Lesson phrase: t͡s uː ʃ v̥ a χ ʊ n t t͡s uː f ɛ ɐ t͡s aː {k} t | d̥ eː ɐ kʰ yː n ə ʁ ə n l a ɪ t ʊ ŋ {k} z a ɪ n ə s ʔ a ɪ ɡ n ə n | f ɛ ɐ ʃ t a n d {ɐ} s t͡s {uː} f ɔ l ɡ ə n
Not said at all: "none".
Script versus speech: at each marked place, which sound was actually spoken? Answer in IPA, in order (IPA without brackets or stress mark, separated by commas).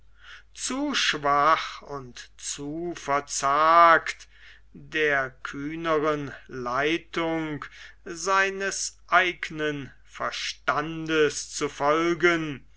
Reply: k, k, ə, u